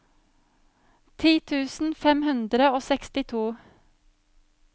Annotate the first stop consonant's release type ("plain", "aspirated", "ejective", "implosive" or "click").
aspirated